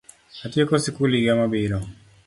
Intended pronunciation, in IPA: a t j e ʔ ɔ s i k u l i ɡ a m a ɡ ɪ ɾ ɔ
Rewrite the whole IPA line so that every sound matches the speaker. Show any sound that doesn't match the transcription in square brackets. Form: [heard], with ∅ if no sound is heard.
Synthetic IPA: a t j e [k] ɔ s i k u l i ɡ a m a [b] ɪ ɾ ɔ